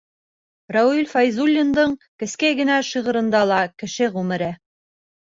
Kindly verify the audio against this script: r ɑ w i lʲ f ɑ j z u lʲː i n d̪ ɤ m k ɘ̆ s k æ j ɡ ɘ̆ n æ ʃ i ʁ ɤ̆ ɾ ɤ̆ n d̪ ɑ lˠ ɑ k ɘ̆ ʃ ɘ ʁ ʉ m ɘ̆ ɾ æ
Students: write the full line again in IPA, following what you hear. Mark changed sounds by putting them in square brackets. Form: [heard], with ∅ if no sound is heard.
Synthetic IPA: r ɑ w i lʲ f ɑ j z u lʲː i n d̪ ɤ [ɴ] k ɘ̆ s k æ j ɡ ɘ̆ n æ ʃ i ʁ ɤ̆ ɾ ɤ̆ n d̪ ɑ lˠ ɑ k ɘ̆ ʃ ɘ ʁ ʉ m ɘ̆ ɾ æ